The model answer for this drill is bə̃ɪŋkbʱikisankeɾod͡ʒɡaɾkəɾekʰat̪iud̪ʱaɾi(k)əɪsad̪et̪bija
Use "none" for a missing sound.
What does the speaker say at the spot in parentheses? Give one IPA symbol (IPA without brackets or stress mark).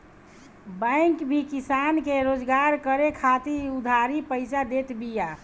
p